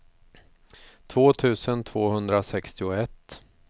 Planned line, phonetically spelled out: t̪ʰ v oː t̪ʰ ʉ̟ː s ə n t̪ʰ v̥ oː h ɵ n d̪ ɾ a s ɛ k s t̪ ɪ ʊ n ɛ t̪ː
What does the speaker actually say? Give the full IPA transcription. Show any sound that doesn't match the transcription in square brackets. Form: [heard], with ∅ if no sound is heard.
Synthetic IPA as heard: t̪ʰ v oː t̪ʰ ʉ̟ː s ə n t̪ʰ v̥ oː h ɵ n d̪ ɾ a s ɛ k s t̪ ɪ ʊ [∅] ɛ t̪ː

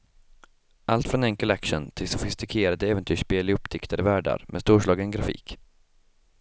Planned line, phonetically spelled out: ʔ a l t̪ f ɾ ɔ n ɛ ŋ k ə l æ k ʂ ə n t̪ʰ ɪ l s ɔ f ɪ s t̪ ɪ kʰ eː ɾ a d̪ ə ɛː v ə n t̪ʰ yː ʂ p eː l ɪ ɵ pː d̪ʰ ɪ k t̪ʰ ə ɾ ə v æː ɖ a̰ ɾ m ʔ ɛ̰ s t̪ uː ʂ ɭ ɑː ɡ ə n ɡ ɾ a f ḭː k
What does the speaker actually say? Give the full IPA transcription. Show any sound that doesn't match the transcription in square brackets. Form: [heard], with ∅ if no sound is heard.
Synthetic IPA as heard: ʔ a l t̪ f ɾ ɔ n ɛ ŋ k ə l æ k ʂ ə n t̪ʰ ɪ l s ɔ f ɪ s t̪ ɪ kʰ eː ɾ a d̪ ə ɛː v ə n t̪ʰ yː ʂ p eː l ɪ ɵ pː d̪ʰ ɪ k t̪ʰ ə ɾ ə v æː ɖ a̰ ɾ m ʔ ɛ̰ s t̪ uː ʂ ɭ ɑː ɡ ə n ɡ ɾ a f ḭː k

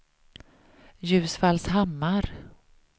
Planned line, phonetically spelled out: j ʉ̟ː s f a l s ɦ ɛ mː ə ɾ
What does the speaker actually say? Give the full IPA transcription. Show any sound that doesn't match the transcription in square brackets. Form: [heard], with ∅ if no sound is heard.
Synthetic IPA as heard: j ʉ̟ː s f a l s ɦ [a] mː [a] ɾ

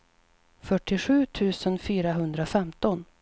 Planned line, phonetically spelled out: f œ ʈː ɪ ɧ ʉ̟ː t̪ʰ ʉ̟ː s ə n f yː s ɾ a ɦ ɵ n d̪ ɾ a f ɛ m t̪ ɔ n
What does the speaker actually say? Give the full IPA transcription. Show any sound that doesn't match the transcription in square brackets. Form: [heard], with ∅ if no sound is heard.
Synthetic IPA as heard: f œ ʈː ɪ ɧ ʉ̟ː t̪ʰ ʉ̟ː s ə n f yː [∅] ɾ a ɦ ɵ n d̪ ɾ a f ɛ m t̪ ɔ n

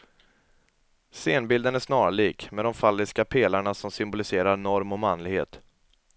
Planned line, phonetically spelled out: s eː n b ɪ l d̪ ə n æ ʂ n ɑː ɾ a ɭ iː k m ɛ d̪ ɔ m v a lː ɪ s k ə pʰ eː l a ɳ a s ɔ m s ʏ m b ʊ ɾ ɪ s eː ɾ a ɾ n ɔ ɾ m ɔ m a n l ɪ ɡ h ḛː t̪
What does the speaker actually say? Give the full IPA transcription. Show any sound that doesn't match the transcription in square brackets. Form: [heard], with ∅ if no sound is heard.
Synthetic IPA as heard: s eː n b ɪ l d̪ ə n æ ʂ n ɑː ɾ a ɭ iː k m ɛ d̪ ɔ m [f] a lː ɪ s k [a] pʰ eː l a ɳ a s ɔ m s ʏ m b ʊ [l] ɪ s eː ɾ a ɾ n ɔ ɾ m ɔ m a n l ɪ ɡ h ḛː t̪

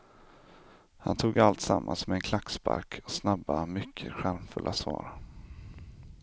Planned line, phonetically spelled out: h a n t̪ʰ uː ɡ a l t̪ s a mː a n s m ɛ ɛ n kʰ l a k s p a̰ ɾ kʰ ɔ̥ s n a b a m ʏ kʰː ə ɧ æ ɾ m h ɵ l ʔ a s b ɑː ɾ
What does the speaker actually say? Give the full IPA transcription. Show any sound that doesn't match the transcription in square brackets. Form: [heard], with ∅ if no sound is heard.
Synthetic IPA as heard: h a n t̪ʰ uː ɡ a l t̪ s a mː a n s m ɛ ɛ n kʰ l a k s p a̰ ɾ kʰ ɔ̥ s n a b a m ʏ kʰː ə ɧ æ ɾ m [f] ɵ l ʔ a s [v] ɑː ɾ

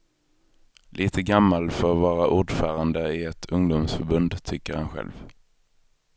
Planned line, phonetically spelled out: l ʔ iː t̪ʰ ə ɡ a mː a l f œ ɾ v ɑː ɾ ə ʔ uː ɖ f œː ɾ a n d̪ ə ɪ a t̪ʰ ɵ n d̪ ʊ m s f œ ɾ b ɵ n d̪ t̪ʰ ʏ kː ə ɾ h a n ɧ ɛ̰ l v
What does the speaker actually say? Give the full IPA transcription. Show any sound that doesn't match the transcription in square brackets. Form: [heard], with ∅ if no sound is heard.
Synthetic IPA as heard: l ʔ iː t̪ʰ ə ɡ a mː a l f œ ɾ v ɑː ɾ [a] ʔ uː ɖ f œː ɾ a n d̪ ə ɪ [ɛ] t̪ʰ ɵ [ŋ] d̪ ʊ m s f œ ɾ b ɵ n d̪ t̪ʰ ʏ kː ə ɾ h a n ɧ ɛ̰ l v

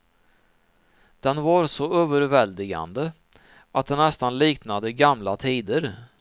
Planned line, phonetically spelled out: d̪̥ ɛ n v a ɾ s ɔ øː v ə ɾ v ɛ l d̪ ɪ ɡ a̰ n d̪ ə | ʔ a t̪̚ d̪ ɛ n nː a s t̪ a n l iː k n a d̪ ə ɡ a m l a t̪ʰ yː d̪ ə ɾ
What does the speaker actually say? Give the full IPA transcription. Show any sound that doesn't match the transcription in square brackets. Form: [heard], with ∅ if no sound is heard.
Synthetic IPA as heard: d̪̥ ɛ n v a ɾ s ɔ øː v ə ɾ v ɛ l d̪ ɪ ɡ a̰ n d̪ ə | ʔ a t̪̚ d̪ ɛ n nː [ɛ] s t̪ a n l iː k n a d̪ ə ɡ a m l a t̪ʰ [iː] d̪ ə ɾ

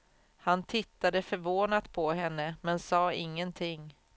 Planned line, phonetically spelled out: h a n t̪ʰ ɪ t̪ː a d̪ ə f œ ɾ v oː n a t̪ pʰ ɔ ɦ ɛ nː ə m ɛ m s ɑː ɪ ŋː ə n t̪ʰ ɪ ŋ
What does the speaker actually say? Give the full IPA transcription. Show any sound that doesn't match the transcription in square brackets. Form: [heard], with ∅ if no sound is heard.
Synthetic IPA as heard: h a n t̪ʰ ɪ t̪ː a d̪ ə f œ ɾ v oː n a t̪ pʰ ɔ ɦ ɛ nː ə m ɛ [n] s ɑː ɪ ŋː ə n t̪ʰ ɪ ŋ

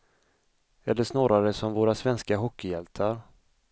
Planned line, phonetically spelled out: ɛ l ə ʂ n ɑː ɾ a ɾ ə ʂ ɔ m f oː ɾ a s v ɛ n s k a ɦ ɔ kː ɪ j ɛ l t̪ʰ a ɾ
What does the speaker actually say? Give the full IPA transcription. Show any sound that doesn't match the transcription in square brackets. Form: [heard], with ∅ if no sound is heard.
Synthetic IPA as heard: ɛ [lː] ə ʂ n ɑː ɾ a ɾ ə [s] ɔ m [v] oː ɾ a s v ɛ n s k a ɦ ɔ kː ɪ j ɛ l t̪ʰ a ɾ

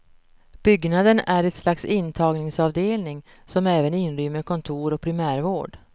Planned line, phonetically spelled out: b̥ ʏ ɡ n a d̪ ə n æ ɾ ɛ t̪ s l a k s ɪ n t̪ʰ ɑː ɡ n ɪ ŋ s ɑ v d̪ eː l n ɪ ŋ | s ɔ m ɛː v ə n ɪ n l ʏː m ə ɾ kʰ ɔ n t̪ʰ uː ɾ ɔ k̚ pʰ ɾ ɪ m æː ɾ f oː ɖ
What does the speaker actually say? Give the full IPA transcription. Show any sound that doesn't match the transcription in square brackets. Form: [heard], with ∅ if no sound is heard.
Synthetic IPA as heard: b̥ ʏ ɡ n a d̪ ə n æ ɾ ɛ t̪ s l a k s ɪ n t̪ʰ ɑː ɡ n ɪ ŋ s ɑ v d̪ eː l n ɪ ŋ | s ɔ m ɛː v ə n ɪ n [ɾ] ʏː m ə ɾ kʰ ɔ n t̪ʰ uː ɾ ɔ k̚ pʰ ɾ ɪ m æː ɾ [v] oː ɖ

